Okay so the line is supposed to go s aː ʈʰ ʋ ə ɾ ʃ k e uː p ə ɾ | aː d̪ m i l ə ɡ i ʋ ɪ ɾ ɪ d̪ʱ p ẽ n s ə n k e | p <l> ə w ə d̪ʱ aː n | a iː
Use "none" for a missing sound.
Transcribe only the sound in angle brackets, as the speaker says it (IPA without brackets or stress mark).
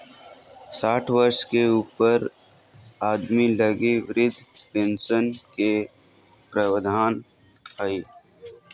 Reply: ɾ